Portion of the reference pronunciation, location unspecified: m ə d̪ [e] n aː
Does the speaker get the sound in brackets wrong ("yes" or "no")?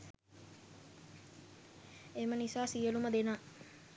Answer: no